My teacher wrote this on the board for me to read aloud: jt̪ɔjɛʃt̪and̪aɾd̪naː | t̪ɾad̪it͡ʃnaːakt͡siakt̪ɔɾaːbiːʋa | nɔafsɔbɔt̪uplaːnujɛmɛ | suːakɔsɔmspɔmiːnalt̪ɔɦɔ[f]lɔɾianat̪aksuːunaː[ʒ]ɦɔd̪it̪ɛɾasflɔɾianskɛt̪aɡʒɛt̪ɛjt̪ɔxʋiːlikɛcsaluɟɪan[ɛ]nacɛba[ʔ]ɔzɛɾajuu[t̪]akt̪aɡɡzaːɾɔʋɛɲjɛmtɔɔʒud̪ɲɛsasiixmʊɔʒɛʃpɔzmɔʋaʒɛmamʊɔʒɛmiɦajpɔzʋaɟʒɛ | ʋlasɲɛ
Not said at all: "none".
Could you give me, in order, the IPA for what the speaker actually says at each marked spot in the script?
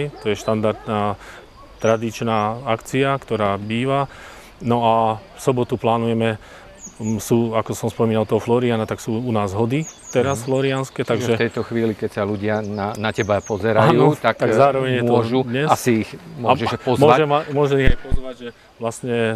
f, z, a, p, t̪

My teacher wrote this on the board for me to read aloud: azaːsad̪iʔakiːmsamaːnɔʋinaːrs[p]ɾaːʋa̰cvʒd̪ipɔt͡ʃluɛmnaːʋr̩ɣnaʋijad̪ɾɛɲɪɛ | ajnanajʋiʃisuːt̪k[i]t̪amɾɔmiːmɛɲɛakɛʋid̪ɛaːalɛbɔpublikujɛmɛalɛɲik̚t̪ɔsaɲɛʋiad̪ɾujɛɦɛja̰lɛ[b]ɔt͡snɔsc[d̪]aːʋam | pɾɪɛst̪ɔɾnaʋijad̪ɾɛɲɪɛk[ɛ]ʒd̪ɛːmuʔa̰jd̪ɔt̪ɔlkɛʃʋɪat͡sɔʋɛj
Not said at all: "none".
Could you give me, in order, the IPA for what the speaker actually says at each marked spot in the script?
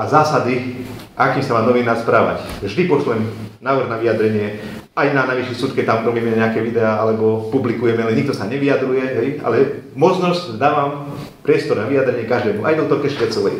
p, ɛ, m, d̪, a

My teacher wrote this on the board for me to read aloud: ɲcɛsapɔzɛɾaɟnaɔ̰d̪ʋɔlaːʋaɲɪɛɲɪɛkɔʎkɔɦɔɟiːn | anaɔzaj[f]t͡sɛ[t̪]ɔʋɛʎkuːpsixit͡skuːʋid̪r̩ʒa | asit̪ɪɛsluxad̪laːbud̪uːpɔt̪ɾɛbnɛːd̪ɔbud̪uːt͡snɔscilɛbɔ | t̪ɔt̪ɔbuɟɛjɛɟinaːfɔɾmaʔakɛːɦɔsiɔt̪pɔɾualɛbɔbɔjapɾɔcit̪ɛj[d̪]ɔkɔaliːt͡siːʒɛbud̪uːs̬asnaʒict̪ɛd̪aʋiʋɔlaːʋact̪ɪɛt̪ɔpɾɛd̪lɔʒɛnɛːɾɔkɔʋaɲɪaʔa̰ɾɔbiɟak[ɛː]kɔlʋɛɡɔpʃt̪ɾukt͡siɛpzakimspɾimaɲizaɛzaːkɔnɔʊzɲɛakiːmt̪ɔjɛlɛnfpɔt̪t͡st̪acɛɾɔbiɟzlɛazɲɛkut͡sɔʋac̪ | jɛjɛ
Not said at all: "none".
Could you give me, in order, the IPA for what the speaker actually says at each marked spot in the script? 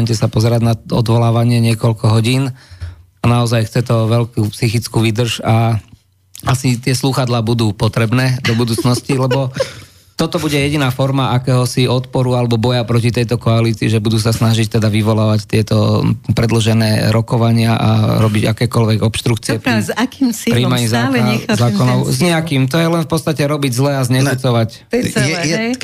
x, t̪, t̪, ɛː

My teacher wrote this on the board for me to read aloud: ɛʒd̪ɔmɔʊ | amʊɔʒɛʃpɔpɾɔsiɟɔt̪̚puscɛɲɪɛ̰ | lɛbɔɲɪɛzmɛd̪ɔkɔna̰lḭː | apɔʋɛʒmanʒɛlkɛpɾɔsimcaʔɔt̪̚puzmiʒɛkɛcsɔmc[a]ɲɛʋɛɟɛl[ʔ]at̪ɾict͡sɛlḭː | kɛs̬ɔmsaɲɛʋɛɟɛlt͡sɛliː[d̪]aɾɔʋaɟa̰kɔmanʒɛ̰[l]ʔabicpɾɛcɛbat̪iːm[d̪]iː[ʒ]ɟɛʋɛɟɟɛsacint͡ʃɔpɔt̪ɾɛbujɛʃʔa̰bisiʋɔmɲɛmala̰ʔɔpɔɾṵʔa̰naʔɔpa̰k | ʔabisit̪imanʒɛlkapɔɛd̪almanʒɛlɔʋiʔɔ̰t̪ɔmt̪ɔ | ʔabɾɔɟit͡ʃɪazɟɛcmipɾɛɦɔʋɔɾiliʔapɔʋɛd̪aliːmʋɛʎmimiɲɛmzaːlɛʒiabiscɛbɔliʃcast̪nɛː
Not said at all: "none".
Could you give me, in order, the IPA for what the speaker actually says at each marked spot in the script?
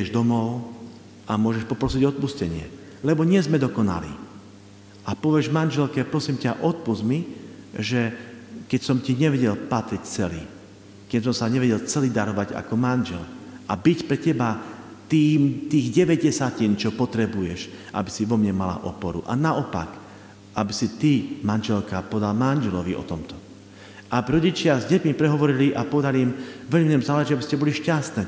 i, p, d̪, l, t̪, ɣ

